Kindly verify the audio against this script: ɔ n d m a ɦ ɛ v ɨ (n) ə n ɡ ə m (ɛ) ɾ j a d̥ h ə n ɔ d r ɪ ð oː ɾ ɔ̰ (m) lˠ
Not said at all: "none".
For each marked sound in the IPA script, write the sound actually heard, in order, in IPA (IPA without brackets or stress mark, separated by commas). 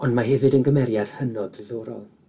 d, ɛ, none